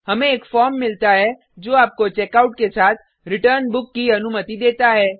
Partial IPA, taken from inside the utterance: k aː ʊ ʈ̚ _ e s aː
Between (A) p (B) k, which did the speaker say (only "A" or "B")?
B